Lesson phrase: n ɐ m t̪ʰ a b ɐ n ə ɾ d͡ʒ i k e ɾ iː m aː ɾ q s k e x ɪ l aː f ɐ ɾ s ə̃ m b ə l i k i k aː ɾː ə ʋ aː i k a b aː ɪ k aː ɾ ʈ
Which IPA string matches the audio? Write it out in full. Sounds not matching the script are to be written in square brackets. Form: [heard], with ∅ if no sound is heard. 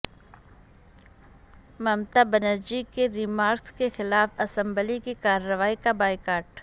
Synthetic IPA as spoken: [m] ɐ m [t̪] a b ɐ n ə ɾ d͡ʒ i k e ɾ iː m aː ɾ [k] s k e x ɪ l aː f ɐ [∅] s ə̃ m b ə l i k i k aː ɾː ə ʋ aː i k a b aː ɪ k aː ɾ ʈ